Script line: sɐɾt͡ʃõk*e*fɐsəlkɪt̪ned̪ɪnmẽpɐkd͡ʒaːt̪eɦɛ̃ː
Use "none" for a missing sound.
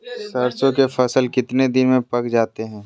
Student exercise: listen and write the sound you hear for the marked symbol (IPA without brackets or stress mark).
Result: e